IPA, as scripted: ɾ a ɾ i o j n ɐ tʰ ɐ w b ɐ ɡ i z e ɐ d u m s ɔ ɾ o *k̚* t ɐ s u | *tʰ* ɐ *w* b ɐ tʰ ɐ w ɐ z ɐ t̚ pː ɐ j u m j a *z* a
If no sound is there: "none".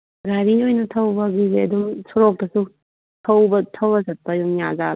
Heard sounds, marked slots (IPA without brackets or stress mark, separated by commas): k̚, tʰ, w, z